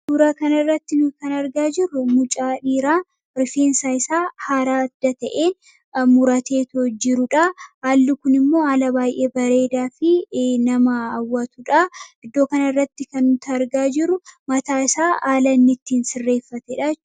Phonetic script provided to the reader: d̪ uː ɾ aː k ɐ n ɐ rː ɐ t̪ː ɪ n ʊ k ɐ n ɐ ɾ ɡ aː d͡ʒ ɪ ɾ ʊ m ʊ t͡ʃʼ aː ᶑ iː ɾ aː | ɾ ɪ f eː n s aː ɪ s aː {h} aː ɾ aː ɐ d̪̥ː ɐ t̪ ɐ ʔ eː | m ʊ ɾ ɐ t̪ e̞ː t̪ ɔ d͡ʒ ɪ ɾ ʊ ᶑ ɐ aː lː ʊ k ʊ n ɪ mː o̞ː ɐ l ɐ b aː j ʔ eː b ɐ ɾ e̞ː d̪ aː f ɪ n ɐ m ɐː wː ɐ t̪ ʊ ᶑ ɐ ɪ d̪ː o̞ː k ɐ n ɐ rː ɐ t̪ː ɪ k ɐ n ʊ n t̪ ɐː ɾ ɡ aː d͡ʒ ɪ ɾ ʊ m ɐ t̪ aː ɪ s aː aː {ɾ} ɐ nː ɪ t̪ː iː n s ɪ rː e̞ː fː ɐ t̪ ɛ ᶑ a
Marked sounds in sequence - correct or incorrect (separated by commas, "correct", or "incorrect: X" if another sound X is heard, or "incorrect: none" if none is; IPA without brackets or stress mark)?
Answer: correct, incorrect: l